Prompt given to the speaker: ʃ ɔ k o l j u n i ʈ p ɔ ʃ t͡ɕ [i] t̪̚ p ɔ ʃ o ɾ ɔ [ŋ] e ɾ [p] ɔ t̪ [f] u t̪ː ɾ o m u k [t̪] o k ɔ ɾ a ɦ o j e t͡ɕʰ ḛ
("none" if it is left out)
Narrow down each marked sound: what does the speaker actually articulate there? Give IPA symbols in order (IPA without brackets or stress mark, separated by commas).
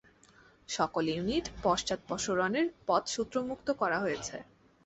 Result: a, n, p, ʃ, t̪